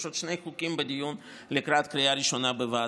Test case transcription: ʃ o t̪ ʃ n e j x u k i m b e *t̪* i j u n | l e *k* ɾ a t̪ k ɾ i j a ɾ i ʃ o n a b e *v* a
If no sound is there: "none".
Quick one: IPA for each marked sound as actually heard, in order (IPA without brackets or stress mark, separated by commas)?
d̪, k, v